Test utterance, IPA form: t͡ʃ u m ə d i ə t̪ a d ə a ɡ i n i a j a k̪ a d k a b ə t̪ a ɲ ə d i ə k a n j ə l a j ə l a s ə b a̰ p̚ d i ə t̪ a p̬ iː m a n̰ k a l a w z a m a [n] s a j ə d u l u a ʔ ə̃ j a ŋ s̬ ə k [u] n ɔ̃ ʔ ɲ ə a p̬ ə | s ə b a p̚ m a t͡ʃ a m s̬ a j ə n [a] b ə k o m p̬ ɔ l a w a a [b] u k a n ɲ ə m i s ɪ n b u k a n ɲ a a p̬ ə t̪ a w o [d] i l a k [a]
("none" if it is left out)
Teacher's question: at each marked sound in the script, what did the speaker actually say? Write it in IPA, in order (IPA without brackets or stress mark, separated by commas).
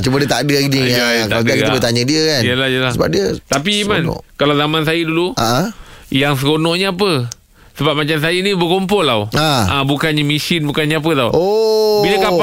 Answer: n, o, i, b, b, a